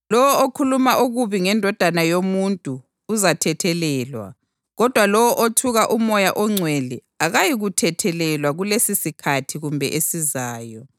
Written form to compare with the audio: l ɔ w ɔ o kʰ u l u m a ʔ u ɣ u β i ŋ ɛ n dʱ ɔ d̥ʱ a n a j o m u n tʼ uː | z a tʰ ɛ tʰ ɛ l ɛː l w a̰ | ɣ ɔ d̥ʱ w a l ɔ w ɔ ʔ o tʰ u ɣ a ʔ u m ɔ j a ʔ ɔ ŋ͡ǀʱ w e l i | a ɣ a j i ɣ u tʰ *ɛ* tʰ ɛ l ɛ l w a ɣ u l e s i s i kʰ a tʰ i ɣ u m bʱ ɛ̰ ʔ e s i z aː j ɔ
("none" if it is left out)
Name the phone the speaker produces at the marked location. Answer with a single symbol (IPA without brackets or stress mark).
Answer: ɛ